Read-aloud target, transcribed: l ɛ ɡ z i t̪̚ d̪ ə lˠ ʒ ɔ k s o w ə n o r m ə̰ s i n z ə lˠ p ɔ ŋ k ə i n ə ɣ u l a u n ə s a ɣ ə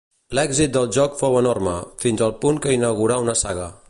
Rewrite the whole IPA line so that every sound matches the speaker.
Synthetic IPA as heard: l ɛ ɡ z i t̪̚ d̪ ə lˠ ʒ ɔ k f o w ə n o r m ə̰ f i n z ə lˠ p u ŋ k ə i n ə ɣ u ɾ a u n ə s a ɣ ə